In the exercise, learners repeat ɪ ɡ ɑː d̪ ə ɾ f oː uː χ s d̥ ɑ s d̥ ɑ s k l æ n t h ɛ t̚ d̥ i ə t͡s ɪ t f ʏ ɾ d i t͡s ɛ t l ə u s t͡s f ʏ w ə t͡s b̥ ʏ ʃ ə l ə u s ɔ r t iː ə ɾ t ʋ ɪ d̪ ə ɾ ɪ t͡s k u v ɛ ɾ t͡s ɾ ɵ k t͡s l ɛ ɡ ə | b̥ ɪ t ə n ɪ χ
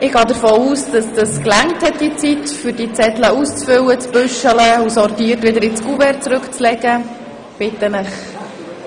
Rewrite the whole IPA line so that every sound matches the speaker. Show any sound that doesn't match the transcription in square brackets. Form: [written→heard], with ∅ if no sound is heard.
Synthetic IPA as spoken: ɪ ɡ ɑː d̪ ə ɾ f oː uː [χ→∅] s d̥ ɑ s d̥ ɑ s k l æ [n→ŋ] t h ɛ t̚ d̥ i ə t͡s [ɪ→i] t f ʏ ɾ d i t͡s ɛ t l ə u s t͡s f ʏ w ə t͡s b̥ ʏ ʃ ə l ə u s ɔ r t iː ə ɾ t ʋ ɪ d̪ ə ɾ ɪ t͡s k u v ɛ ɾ t͡s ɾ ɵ k t͡s l ɛ ɡ ə | b̥ ɪ t ə n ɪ χ